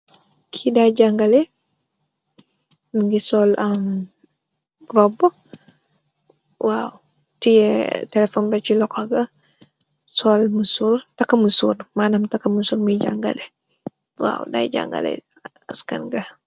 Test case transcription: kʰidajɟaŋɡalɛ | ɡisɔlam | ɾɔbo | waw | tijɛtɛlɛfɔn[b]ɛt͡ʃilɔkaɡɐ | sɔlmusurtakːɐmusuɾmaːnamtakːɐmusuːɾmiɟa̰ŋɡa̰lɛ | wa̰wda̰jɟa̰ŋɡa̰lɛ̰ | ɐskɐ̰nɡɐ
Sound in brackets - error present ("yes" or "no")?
no